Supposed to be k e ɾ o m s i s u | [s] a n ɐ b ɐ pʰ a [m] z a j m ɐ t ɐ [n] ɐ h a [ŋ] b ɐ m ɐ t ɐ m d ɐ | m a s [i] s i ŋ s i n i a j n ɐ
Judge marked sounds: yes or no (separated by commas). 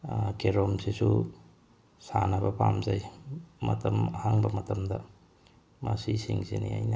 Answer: yes, yes, no, yes, yes